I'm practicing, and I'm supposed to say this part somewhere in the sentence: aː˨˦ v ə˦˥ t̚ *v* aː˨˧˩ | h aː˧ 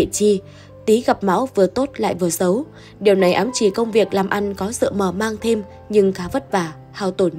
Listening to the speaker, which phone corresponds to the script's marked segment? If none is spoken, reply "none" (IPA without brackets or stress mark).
v